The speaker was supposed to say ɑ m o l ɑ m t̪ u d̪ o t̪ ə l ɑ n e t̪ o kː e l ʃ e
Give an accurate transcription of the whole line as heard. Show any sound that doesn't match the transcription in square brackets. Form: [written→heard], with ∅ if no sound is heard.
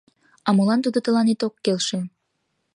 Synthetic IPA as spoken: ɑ m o l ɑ [m→n] t̪ u d̪ o t̪ ə l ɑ n e t̪ o kː e l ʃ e